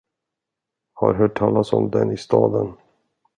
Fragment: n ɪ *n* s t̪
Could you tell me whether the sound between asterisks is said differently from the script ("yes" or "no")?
yes